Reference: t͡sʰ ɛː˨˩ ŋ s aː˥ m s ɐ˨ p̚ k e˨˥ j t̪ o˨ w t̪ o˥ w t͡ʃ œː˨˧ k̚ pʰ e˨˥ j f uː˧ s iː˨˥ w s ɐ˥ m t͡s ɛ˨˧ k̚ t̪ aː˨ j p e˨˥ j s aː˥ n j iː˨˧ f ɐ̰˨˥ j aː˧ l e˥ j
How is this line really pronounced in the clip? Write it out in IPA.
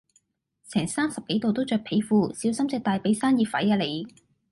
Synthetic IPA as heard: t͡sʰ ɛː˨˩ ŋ s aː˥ m s ɐ˨ p̚ k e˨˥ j t̪ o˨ w t̪ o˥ w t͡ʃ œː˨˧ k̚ pʰ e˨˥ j f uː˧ s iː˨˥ w s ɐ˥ m t͡s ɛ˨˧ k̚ t̪ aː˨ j p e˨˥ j s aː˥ n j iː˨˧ f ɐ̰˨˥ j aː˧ l e˨˧ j